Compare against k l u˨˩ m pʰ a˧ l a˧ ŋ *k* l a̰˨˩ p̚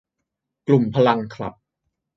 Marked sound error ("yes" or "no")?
yes